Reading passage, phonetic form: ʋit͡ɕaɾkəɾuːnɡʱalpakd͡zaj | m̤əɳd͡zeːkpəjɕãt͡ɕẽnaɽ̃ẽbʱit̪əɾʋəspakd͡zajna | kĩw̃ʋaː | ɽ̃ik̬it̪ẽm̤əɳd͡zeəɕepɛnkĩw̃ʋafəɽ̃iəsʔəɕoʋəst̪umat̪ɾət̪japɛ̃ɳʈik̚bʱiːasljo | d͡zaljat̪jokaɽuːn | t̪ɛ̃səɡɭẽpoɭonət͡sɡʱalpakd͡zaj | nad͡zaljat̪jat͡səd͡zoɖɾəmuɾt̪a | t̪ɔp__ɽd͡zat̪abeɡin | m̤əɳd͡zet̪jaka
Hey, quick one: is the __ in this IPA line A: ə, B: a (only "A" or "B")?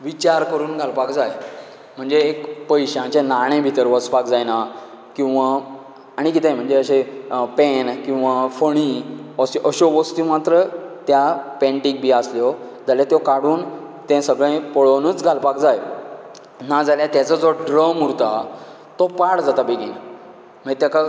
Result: B